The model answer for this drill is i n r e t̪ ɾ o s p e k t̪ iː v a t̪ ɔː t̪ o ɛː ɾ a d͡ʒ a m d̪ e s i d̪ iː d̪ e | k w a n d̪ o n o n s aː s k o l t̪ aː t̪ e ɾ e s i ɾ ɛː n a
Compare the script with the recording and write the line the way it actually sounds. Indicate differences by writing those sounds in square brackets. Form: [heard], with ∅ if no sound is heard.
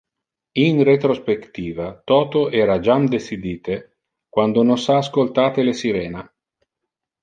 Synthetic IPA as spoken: i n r e t̪ ɾ o s p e k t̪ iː v a t̪ ɔː t̪ o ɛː ɾ a d͡ʒ a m d̪ e s i d̪ iː [t̪] e | k w a n d̪ o n o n s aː s k o l t̪ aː t̪ e [l] e s i ɾ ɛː n a